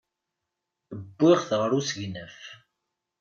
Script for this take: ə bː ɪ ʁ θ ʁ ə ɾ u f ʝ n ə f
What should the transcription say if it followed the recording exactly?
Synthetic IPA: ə bː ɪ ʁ θ ʁ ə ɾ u s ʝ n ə f